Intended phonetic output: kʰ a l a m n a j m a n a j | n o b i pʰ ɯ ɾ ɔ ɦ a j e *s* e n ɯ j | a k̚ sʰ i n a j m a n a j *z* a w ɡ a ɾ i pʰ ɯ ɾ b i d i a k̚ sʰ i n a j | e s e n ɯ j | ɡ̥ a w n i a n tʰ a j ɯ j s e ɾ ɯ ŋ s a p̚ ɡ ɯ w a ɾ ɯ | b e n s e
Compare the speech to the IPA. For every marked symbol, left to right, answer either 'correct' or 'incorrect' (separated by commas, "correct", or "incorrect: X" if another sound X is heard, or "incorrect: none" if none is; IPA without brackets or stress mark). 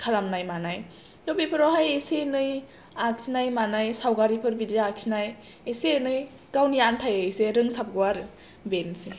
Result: correct, incorrect: s